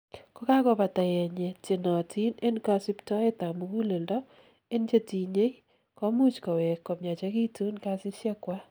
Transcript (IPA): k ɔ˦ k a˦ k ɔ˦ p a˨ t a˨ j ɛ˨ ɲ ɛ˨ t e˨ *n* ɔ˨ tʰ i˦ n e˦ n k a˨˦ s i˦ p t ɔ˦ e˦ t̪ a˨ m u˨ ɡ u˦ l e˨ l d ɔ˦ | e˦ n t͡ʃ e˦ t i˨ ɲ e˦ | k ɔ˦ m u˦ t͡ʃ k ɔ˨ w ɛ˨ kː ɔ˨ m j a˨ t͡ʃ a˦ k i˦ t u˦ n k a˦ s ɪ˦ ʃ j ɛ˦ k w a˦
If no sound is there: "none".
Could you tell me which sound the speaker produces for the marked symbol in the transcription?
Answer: n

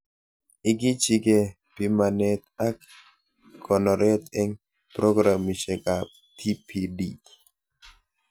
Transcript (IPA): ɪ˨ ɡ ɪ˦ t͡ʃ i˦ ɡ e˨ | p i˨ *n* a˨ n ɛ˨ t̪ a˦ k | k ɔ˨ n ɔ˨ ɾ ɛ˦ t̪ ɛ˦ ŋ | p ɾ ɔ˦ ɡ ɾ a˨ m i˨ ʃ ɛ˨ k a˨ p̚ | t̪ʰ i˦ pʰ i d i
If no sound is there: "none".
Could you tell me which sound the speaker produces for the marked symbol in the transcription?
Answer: m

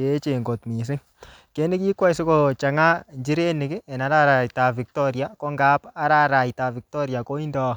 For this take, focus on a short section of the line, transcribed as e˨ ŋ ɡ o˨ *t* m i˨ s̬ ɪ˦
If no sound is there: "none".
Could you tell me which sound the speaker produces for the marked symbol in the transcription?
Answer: t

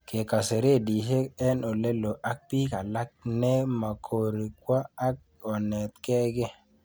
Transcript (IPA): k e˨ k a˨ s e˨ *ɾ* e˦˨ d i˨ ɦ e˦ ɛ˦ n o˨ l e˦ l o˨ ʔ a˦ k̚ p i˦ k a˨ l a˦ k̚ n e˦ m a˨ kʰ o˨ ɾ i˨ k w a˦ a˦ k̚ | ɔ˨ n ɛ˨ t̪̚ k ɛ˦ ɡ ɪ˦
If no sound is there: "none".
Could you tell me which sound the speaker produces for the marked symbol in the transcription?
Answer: ɾ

